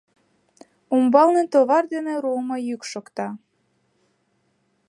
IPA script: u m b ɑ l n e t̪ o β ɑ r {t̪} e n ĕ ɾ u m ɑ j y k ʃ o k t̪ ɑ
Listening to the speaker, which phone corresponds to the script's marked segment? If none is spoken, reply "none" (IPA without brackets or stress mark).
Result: d̪